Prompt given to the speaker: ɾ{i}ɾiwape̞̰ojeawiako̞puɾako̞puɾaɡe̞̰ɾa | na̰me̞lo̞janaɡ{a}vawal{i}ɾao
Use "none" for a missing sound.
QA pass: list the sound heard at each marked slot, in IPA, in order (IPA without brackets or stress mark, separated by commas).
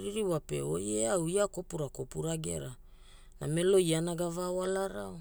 i, a, a